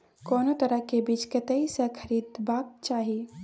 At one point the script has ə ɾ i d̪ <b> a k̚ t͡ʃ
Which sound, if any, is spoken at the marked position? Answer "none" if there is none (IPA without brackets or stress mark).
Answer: b